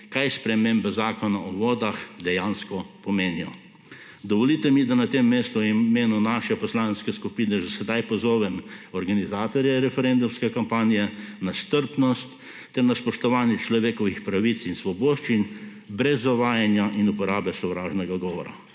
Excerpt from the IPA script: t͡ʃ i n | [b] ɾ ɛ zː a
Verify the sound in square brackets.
correct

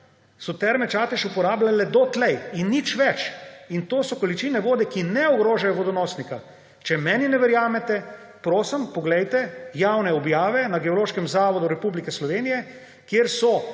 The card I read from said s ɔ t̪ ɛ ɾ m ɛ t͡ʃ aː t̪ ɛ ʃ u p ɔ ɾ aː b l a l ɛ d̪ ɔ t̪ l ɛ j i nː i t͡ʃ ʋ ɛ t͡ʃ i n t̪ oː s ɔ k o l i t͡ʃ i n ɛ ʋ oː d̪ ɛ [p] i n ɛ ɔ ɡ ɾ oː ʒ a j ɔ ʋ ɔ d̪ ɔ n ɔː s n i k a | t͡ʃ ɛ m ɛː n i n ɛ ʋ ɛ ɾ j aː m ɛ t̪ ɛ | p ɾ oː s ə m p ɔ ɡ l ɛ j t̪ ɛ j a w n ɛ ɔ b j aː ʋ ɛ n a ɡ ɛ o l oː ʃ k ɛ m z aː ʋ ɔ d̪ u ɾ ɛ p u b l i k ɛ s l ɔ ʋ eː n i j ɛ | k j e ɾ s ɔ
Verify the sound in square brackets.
incorrect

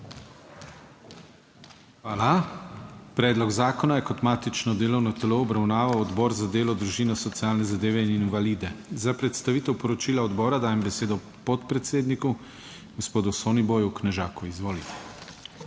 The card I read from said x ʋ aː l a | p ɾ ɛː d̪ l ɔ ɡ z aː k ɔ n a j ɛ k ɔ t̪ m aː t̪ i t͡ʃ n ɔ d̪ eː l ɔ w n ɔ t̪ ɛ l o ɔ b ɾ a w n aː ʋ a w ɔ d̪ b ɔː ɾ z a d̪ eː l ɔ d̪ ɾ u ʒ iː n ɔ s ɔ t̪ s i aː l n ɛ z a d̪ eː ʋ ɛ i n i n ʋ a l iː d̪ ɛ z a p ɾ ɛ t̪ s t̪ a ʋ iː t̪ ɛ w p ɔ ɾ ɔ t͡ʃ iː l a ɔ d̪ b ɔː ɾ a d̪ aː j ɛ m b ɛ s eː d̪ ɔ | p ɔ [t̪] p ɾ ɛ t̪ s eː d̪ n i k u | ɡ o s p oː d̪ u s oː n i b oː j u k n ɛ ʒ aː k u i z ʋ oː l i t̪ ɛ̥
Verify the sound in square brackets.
correct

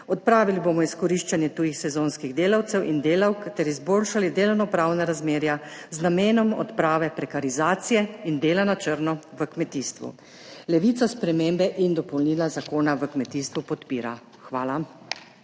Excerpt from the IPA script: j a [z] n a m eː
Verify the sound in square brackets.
correct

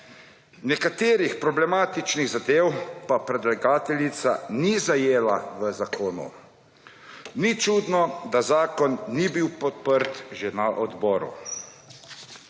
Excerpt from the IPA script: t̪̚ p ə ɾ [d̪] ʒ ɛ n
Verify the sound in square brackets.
incorrect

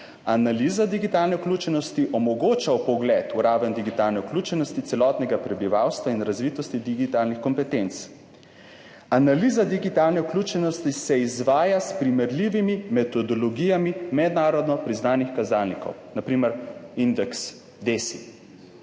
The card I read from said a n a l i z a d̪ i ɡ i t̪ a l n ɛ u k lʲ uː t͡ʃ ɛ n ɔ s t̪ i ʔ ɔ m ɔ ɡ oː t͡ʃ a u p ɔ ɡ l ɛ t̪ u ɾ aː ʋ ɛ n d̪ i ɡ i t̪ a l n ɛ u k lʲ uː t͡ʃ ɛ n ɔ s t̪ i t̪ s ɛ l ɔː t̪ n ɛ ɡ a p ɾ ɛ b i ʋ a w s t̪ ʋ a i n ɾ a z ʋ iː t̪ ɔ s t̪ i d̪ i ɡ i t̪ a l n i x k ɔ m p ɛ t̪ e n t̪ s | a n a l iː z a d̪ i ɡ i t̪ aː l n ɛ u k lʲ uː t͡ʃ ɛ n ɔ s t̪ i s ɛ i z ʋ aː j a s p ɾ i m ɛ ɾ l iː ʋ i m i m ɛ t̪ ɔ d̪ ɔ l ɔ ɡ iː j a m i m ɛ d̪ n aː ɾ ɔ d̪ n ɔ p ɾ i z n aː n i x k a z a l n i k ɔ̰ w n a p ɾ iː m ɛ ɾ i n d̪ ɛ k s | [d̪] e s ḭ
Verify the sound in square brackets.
correct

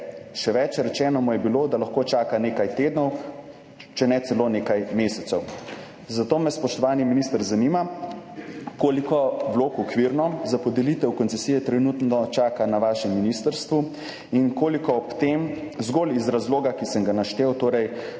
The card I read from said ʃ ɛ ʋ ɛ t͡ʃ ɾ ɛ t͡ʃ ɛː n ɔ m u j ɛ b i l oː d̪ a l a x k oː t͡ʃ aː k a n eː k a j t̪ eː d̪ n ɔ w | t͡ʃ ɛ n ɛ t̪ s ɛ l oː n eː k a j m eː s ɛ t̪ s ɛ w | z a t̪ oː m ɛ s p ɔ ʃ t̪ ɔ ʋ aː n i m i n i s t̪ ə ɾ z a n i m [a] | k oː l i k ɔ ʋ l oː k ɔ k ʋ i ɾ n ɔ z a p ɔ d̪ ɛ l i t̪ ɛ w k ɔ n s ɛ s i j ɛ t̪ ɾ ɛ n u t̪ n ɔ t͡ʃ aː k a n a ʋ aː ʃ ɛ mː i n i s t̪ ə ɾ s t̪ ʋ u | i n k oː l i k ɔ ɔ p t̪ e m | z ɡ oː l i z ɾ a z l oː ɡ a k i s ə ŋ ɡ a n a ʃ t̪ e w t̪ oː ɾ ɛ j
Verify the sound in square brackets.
correct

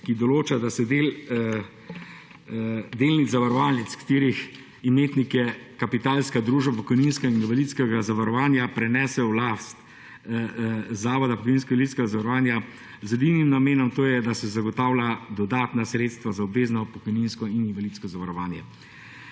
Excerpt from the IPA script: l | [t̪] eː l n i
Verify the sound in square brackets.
incorrect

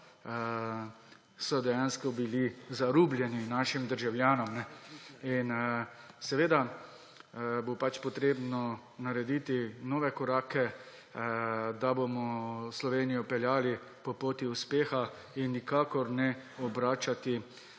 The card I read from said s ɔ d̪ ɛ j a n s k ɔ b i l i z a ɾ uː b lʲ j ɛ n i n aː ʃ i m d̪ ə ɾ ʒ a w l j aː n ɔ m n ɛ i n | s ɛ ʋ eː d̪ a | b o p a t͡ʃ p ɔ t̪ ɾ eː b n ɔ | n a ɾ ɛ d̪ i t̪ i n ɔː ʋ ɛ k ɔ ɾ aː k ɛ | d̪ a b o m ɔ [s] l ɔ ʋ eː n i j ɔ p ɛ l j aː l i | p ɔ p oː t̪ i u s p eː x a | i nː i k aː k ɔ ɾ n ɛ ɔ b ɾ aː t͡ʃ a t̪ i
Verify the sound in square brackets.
correct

